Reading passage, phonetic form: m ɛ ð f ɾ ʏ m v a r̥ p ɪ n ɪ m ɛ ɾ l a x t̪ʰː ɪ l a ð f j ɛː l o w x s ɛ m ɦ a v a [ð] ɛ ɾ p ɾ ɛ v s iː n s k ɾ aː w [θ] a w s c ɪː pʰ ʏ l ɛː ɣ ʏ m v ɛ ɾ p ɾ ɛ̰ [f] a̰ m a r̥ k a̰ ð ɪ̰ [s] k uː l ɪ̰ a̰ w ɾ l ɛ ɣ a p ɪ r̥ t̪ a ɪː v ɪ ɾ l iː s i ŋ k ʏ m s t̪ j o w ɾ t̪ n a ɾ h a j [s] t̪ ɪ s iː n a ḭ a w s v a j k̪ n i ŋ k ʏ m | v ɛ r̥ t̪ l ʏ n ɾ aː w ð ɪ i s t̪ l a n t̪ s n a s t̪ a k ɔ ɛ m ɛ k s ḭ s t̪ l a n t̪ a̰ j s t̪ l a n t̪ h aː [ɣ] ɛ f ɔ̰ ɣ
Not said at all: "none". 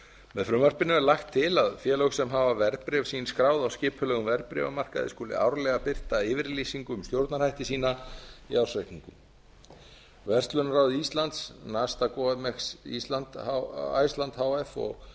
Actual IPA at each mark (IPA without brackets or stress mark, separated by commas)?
v, ð, v, s, h, w